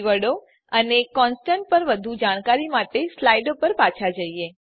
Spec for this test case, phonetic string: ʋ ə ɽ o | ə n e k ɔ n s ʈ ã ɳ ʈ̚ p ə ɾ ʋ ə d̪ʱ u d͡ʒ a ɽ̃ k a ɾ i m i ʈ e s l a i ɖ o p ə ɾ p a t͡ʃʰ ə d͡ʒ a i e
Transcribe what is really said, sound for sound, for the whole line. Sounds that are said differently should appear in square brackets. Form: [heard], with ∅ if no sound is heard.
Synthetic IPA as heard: ʋ ə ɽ o | ə n e k ɔ n s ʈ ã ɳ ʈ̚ p ə ɾ ʋ ə d̪ʱ u d͡ʒ a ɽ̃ k a ɾ i m [a] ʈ e s l a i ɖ o p ə ɾ p a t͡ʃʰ [a] d͡ʒ [ə] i e